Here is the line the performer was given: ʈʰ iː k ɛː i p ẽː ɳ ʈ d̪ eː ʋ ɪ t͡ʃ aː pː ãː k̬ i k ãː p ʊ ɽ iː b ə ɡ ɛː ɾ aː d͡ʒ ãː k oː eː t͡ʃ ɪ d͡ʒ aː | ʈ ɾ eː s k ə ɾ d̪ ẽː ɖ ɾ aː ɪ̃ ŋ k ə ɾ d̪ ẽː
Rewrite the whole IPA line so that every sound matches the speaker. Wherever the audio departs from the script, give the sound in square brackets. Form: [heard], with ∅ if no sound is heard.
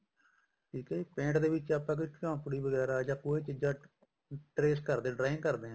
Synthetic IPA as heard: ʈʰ iː k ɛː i p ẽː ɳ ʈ d̪ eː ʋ ɪ t͡ʃ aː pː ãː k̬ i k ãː p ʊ ɽ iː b ə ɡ ɛː ɾ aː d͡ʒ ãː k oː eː t͡ʃ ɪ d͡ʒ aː | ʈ ɾ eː s k ə ɾ d̪ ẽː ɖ ɾ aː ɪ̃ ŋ k ə ɾ d̪ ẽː